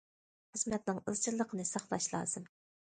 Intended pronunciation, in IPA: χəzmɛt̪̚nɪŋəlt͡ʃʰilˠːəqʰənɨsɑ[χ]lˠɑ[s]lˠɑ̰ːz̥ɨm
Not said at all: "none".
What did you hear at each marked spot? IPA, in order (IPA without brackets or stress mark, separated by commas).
χ, ʃ